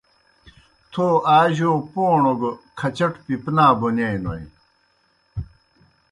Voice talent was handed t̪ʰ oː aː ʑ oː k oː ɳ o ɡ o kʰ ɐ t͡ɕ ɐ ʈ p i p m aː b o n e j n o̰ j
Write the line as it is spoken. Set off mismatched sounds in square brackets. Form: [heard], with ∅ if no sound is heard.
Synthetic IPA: t̪ʰ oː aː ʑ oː [p] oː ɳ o ɡ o kʰ ɐ t͡ɕ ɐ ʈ p i p [n] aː b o n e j n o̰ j